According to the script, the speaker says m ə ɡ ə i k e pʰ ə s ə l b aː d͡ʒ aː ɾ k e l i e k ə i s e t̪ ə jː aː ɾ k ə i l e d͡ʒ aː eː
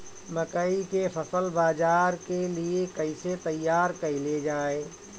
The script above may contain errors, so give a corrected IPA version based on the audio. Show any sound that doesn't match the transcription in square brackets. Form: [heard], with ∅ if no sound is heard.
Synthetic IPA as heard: m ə [k] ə i k e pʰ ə s ə l b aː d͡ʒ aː ɾ k e l i e k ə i s e t̪ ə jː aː ɾ k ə i l e d͡ʒ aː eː